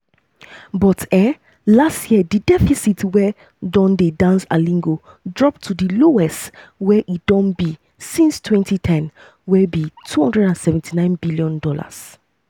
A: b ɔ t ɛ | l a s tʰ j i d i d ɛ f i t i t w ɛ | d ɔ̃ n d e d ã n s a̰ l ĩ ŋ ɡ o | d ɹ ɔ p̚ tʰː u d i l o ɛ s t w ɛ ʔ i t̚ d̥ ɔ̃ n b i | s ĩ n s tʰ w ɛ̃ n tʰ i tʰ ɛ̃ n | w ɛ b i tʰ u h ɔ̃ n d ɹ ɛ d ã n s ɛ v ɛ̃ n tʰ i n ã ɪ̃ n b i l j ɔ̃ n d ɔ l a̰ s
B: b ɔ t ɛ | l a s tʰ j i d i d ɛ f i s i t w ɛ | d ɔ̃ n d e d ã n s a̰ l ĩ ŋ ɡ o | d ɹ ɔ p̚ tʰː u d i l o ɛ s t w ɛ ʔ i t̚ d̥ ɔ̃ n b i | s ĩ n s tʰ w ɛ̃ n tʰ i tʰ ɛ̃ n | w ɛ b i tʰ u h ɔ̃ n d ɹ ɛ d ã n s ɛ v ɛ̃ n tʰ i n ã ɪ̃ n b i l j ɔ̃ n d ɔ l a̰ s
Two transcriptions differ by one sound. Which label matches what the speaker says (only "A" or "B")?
B